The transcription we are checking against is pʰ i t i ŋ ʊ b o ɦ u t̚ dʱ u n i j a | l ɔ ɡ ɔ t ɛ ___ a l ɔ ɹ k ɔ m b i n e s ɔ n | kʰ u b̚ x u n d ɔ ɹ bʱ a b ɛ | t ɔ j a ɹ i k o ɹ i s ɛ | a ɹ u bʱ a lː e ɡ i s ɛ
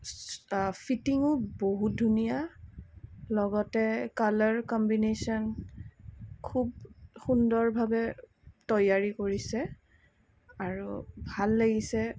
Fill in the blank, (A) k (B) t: A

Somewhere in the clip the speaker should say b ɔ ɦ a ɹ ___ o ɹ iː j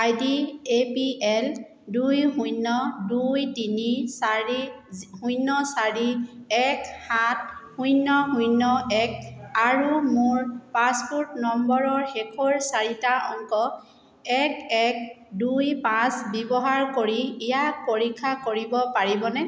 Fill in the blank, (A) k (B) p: A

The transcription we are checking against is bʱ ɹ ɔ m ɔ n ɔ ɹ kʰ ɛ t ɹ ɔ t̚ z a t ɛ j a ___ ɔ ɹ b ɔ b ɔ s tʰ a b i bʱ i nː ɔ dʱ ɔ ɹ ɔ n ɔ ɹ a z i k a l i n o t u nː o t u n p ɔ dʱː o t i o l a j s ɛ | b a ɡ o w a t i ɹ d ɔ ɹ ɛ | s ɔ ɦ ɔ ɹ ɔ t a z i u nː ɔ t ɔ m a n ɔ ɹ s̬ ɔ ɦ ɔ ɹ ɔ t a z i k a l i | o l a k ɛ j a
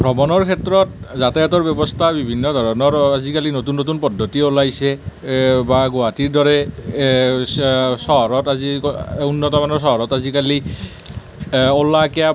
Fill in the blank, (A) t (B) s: A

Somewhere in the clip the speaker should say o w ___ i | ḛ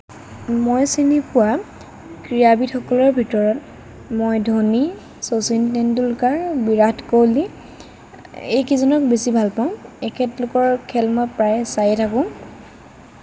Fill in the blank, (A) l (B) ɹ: A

